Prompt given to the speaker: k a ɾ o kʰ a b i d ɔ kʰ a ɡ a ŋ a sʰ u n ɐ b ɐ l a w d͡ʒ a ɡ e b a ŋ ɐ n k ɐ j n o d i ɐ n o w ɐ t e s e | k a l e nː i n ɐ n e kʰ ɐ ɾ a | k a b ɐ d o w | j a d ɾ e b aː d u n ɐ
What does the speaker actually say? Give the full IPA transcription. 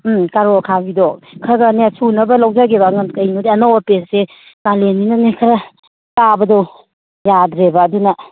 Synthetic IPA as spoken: k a ɾ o kʰ a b i d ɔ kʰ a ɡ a n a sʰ u n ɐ b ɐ l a w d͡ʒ a ɡ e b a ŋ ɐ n k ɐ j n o d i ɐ n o w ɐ p e s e | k a l e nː i n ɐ n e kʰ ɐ ɾ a | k a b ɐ d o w | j a d ɾ e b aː d u n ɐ